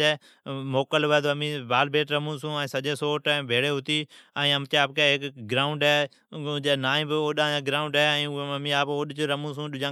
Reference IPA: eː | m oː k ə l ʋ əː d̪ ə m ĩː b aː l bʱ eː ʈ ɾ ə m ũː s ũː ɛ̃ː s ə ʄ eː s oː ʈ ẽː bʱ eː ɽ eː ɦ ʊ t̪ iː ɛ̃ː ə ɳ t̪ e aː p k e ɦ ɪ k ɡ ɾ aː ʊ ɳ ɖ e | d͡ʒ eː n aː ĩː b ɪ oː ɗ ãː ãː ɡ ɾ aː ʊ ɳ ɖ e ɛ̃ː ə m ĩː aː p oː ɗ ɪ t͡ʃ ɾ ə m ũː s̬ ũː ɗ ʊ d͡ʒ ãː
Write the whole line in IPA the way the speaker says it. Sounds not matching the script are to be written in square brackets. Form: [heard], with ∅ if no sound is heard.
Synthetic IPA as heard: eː | m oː k ə l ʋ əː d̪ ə m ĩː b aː l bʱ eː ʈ ɾ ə m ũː s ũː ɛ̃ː s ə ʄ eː s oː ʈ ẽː bʱ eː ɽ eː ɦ ʊ t̪ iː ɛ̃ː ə [m] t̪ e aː p k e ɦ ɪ k ɡ ɾ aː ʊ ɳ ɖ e | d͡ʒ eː n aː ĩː b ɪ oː ɗ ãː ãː ɡ ɾ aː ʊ ɳ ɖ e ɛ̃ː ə m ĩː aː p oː ɗ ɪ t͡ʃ ɾ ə m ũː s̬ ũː ɗ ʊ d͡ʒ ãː